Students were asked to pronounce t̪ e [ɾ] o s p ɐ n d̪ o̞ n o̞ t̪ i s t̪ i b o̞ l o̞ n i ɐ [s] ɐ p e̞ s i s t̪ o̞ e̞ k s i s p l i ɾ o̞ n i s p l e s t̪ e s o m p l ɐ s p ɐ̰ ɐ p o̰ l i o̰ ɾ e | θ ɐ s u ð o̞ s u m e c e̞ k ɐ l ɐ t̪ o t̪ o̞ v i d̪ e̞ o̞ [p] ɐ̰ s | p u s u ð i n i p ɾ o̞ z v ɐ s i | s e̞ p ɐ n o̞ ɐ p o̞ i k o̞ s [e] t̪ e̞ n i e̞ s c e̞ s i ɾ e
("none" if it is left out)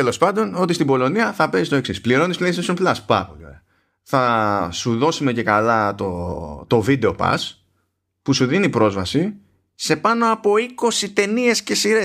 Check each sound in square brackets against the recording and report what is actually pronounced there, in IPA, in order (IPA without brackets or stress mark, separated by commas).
l, θ, p, i